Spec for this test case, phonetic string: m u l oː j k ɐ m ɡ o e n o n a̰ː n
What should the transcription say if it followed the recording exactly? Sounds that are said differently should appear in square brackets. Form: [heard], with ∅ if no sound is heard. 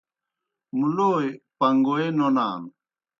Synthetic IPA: m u l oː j [p] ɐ [ŋ] ɡ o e n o n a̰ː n